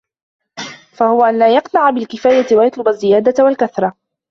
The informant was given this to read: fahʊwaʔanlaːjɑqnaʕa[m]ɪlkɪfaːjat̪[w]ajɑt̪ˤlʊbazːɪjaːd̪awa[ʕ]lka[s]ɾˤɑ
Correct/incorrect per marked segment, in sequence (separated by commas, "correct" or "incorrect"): incorrect, correct, incorrect, incorrect